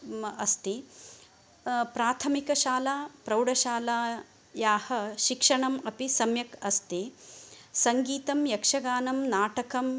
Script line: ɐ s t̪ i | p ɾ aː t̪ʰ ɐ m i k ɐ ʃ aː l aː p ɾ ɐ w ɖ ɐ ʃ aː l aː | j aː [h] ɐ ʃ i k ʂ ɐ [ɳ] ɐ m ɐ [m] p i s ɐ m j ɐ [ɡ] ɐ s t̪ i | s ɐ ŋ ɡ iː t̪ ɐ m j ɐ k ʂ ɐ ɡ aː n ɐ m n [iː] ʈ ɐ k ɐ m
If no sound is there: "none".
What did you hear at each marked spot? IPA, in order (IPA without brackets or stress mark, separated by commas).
h, ɳ, none, k, aː